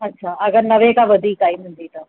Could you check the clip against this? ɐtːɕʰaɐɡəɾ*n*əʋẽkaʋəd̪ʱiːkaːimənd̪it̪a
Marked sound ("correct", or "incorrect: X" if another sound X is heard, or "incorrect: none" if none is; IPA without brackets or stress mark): correct